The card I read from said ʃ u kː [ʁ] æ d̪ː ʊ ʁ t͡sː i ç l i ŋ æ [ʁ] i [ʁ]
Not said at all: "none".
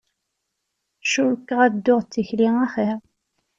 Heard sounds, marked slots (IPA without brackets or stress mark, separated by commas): ʁ, χ, ʁ